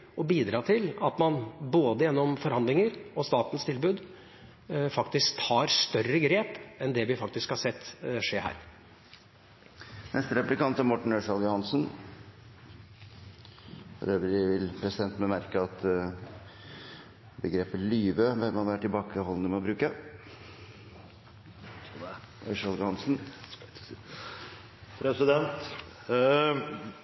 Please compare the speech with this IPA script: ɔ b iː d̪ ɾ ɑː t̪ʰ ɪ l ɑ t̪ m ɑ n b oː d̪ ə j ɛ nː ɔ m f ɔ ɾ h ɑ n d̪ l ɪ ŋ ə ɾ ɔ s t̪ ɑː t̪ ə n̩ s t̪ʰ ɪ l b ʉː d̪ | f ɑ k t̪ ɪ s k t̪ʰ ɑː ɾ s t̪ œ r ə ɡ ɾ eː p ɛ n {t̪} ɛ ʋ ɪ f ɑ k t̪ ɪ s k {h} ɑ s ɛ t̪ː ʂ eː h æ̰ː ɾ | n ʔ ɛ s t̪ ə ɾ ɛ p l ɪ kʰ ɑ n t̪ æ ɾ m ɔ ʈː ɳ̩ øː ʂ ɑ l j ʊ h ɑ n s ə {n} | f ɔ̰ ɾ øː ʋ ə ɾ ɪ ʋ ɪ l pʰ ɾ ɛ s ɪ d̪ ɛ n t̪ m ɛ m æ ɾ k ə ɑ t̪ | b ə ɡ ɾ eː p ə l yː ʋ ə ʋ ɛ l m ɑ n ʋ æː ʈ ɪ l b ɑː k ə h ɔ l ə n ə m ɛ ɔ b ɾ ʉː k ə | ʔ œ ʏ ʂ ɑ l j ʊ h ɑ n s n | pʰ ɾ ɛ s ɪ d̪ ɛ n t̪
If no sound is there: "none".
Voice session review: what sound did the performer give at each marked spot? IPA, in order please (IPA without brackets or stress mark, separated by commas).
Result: d̪, h, n